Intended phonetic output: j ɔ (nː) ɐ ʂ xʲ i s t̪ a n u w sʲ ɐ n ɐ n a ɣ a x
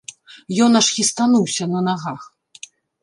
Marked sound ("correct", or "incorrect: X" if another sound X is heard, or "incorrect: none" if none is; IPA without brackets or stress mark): incorrect: n